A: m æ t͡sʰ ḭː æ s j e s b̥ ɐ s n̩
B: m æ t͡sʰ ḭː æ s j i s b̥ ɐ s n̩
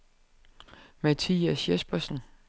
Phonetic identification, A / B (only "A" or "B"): A